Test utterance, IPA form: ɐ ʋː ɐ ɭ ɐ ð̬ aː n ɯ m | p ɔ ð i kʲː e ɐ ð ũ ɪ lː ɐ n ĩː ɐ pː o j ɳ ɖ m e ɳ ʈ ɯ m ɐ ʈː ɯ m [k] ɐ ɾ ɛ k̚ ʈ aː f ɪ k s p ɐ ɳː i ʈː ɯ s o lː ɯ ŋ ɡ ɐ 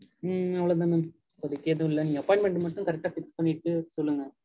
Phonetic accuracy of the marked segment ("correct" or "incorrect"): correct